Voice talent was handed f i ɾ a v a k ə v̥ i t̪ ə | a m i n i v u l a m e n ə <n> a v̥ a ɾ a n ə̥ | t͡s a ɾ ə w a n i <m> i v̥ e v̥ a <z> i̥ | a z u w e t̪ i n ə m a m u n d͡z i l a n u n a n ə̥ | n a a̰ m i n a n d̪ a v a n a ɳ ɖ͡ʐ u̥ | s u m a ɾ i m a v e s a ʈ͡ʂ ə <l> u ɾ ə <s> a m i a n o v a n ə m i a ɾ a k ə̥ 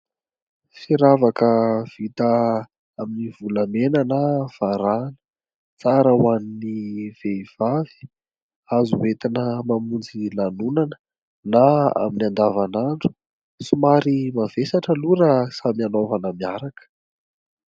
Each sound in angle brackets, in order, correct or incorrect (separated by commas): correct, incorrect, incorrect, correct, correct